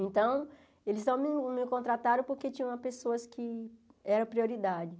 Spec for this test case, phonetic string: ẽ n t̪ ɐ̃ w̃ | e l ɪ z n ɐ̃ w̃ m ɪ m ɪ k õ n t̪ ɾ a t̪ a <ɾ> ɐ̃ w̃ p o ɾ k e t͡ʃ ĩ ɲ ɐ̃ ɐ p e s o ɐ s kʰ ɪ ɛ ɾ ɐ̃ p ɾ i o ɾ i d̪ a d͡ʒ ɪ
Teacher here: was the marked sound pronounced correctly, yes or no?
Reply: yes